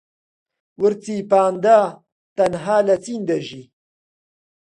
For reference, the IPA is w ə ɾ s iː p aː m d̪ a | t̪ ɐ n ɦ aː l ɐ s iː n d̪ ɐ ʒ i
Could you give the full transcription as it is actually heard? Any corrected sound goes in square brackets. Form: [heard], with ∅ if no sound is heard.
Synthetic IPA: w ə ɾ [t͡s] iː p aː [n] d̪ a | t̪ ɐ n ɦ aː l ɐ [t͡s] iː n d̪ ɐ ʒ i